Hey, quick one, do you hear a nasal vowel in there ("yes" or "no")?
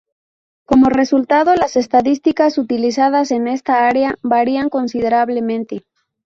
yes